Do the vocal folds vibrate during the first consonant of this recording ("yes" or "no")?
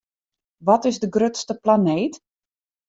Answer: yes